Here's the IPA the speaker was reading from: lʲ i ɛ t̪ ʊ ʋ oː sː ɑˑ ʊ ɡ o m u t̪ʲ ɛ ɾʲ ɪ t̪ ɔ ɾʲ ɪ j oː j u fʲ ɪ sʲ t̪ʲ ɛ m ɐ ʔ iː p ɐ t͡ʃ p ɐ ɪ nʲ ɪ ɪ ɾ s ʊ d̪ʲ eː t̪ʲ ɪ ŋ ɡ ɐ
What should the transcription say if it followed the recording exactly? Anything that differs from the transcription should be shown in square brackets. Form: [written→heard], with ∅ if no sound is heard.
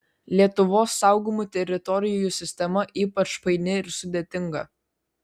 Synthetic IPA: lʲ i ɛ t̪ ʊ ʋ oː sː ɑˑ ʊ ɡ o m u t̪ʲ ɛ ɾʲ ɪ t̪ ɔ ɾʲ ɪ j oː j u [fʲ→sʲ] ɪ sʲ t̪ʲ ɛ m ɐ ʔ iː p ɐ t͡ʃ p ɐ ɪ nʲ ɪ ɪ ɾ s ʊ d̪ʲ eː t̪ʲ ɪ ŋ ɡ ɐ

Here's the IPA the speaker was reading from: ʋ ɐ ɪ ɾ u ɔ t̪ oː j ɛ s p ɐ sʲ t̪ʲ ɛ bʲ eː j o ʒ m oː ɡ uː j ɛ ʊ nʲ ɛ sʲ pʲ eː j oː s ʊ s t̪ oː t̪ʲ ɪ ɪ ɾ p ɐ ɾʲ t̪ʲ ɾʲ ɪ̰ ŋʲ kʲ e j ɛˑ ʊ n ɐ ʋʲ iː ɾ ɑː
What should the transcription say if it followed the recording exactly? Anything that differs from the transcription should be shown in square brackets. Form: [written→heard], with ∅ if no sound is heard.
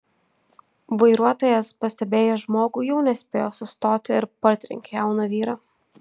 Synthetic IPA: ʋ ɐ ɪ ɾ u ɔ t̪ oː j ɛ s p ɐ sʲ t̪ʲ ɛ bʲ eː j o ʒ m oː ɡ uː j ɛ ʊ nʲ ɛ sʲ pʲ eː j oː s ʊ s t̪ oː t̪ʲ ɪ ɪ ɾ p ɐ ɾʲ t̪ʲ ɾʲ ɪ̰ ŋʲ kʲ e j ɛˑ ʊ n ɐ ʋʲ iː ɾ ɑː

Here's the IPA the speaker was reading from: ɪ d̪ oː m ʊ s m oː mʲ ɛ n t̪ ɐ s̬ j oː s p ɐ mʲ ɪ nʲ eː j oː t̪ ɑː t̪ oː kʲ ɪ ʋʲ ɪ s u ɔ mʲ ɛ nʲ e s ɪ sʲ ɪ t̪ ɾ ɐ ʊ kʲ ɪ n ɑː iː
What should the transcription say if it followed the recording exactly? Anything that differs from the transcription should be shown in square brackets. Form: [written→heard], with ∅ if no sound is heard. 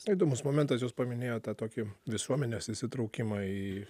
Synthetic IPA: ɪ d̪ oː m ʊ s m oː mʲ ɛ n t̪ ɐ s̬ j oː s p ɐ mʲ ɪ nʲ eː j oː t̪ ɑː t̪ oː kʲ ɪ ʋʲ ɪ s u ɔ mʲ ɛ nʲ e s ɪ sʲ ɪ t̪ ɾ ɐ ʊ kʲ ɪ [n→m] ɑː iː

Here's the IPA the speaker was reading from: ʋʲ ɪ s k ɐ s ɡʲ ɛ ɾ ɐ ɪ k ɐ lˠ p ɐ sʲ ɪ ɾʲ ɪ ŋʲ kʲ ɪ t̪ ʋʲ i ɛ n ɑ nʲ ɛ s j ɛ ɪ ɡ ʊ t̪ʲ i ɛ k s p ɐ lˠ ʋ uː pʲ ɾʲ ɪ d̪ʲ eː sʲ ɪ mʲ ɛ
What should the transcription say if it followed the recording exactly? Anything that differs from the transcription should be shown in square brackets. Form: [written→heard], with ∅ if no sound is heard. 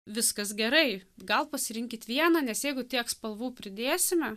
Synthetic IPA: ʋʲ ɪ s k ɐ s ɡʲ ɛ ɾ ɐ ɪ [k→ɡ] ɐ lˠ p ɐ sʲ ɪ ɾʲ ɪ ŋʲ kʲ ɪ t̪ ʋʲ i ɛ n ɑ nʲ ɛ s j ɛ ɪ ɡ ʊ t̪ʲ i ɛ k s p ɐ lˠ ʋ uː pʲ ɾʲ ɪ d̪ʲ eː sʲ ɪ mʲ ɛ

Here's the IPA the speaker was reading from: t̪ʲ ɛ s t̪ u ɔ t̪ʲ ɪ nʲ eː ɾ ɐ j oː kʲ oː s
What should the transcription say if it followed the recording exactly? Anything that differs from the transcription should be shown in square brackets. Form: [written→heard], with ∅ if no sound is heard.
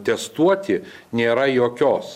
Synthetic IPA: t̪ʲ ɛ s t̪ u ɔ t̪ʲ ɪ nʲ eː ɾ ɐ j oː kʲ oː s

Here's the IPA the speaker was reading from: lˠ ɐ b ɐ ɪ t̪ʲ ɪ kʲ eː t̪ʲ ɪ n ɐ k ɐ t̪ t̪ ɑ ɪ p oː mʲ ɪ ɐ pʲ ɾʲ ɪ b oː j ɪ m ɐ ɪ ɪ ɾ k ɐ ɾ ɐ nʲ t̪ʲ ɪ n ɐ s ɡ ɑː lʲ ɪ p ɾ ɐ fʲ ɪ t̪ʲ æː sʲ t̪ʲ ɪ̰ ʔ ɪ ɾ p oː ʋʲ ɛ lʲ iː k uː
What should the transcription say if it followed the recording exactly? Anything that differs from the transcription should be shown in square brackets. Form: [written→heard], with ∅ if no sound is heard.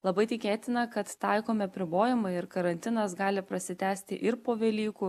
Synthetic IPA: lˠ ɐ b ɐ ɪ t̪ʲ ɪ kʲ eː t̪ʲ ɪ n ɐ k ɐ t̪ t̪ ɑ ɪ [p→k] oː mʲ ɪ ɐ pʲ ɾʲ ɪ b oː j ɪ m ɐ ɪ ɪ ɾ k ɐ ɾ ɐ nʲ t̪ʲ ɪ n ɐ s ɡ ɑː lʲ ɪ p ɾ ɐ [fʲ→sʲ] ɪ t̪ʲ æː sʲ t̪ʲ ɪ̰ ʔ ɪ ɾ p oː ʋʲ ɛ lʲ iː k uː

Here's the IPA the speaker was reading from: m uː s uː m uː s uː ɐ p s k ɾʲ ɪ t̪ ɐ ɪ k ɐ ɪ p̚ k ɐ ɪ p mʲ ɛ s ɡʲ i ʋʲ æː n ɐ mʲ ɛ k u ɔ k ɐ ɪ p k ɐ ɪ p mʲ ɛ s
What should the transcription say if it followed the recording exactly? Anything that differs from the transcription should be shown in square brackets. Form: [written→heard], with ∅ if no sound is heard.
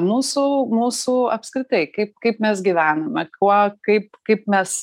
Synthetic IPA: m uː s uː m uː s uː ɐ p s k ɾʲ ɪ t̪ ɐ ɪ k ɐ ɪ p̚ k ɐ ɪ p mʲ ɛ s ɡʲ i ʋʲ æː n ɐ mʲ ɛ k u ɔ k ɐ ɪ p k ɐ ɪ p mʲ ɛ s

